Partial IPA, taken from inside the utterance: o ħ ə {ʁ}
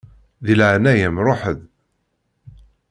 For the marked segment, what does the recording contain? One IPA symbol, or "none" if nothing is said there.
ð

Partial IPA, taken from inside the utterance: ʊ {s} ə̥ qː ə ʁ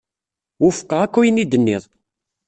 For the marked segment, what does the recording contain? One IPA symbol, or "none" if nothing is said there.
f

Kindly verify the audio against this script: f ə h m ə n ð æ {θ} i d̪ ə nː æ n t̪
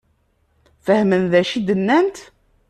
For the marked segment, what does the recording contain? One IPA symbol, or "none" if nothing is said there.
ʃ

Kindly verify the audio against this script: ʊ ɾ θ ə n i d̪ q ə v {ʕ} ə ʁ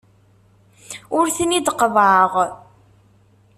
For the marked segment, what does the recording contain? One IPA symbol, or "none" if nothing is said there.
ʕ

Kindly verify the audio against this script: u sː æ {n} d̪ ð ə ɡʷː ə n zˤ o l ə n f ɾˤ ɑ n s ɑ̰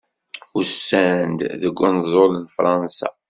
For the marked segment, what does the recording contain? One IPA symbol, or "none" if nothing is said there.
n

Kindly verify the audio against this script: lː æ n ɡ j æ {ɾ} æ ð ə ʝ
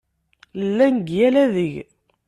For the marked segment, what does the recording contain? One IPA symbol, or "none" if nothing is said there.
l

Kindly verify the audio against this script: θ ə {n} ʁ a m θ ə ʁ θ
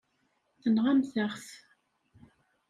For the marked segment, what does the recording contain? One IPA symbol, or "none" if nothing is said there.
n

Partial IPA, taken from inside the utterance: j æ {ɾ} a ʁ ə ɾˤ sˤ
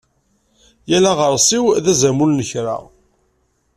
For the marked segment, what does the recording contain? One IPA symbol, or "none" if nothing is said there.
l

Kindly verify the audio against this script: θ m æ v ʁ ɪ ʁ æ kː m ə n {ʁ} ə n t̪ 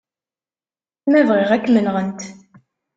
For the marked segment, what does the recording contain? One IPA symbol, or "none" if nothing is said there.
ʁ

